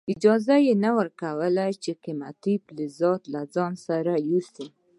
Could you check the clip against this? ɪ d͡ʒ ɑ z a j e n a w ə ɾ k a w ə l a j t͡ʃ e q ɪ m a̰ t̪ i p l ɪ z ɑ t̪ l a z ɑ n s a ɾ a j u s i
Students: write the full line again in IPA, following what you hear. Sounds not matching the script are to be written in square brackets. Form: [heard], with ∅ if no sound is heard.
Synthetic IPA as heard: ɪ d͡ʒ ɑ z a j e n a w ə ɾ k a w ə l a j t͡ʃ e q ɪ m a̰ t̪ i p l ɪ z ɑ t̪ l a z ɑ n s a ɾ a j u s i

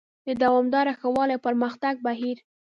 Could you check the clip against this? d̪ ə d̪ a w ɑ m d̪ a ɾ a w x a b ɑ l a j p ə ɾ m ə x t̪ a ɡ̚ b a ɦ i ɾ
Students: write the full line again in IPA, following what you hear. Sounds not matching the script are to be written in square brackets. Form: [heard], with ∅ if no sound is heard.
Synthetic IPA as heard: d̪ ə d̪ a w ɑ m d̪ [ɑ] ɾ a [∅] x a [w] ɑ l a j p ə ɾ m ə x t̪ a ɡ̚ b a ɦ i ɾ

